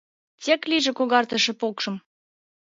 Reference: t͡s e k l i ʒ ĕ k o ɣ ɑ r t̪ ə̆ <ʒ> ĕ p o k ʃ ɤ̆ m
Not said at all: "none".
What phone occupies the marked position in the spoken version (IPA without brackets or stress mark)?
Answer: ʃ